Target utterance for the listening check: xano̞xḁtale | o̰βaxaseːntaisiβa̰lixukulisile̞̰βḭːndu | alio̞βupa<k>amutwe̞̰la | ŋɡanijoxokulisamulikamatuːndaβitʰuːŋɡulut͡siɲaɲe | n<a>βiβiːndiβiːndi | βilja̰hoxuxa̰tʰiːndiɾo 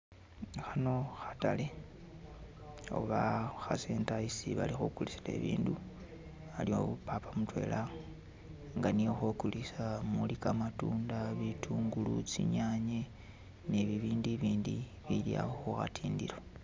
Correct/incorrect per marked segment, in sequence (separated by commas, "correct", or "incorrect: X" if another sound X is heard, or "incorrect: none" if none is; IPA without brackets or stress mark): incorrect: p, incorrect: e